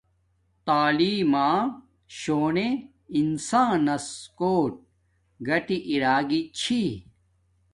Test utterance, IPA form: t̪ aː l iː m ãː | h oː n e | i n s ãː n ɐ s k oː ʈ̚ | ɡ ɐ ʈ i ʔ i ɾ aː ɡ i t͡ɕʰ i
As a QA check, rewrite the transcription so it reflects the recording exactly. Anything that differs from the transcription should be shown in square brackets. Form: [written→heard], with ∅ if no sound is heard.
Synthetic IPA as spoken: t̪ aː l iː m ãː | [h→ɕ] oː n e | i n s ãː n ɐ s k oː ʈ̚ | ɡ ɐ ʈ i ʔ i ɾ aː ɡ i t͡ɕʰ i